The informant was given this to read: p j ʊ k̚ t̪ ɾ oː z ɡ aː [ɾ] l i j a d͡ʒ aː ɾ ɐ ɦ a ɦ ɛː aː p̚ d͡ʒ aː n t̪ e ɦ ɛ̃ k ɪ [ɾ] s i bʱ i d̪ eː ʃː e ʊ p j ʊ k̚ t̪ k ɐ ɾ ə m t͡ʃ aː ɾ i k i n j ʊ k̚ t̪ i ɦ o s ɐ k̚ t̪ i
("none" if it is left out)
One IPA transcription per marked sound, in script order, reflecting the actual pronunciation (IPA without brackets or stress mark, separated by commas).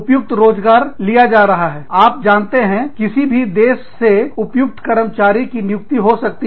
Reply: ɾ, none